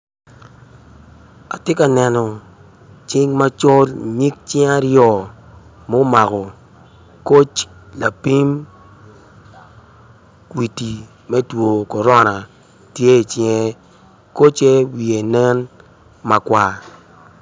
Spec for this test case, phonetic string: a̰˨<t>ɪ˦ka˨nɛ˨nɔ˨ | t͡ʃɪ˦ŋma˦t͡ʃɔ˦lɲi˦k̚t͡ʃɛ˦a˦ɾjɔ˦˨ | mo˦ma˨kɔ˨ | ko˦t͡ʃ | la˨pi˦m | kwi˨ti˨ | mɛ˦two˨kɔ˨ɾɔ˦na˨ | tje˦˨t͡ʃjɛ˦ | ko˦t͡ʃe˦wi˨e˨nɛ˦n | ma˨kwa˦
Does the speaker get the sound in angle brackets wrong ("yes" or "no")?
no